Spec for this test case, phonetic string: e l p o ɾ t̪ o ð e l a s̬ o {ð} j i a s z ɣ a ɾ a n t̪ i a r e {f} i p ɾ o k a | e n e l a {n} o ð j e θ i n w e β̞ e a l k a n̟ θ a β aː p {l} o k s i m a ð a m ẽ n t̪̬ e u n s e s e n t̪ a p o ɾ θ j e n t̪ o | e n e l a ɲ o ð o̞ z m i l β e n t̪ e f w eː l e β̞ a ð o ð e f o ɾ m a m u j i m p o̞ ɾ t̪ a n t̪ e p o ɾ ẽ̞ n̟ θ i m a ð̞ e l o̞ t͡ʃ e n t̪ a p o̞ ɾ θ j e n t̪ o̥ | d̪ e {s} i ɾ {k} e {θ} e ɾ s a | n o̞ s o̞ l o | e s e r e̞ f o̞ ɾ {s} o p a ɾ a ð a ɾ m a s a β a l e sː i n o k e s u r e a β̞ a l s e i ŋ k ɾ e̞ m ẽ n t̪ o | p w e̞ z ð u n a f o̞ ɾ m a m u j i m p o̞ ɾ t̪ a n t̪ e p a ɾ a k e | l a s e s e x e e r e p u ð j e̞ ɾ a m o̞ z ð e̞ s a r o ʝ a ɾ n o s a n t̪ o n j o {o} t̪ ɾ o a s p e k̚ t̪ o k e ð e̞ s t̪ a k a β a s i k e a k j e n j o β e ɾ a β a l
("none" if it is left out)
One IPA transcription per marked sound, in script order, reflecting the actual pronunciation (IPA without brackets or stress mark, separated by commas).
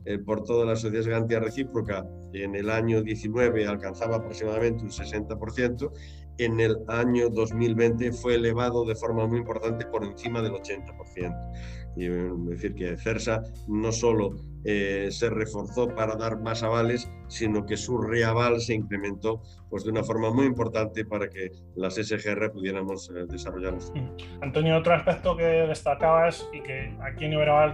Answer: θ, θ, ɲ, ɾ, θ, k, θ, θ, o